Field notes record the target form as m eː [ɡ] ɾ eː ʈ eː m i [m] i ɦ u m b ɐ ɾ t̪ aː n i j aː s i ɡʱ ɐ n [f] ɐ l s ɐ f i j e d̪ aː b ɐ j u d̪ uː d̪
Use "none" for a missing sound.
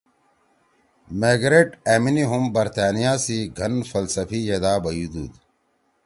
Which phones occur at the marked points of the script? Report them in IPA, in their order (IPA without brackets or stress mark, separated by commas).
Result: ɡ, n, f